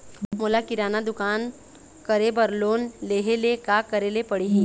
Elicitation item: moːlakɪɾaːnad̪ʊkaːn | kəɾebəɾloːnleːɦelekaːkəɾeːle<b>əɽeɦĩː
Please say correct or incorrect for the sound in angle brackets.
incorrect